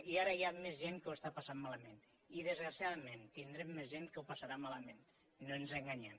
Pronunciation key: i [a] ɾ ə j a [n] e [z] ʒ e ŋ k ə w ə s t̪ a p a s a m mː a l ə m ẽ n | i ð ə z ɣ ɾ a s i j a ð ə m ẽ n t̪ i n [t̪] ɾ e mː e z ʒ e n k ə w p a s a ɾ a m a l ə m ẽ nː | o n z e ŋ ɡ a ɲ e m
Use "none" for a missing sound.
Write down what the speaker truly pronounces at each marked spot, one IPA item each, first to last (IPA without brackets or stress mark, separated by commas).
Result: a, m, z, d̪